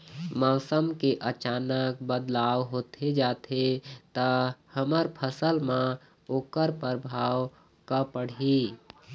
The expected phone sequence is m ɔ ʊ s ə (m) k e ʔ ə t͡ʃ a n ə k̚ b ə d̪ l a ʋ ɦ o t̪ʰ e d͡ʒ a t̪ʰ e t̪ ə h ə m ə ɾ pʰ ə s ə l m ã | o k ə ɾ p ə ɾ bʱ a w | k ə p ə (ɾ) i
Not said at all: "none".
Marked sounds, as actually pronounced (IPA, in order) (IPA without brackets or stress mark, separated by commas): m, ɽ